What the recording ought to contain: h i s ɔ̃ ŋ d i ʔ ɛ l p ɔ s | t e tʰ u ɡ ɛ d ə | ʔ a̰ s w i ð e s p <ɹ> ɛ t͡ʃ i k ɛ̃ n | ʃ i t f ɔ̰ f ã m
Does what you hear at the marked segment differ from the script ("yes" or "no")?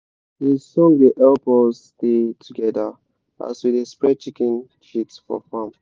no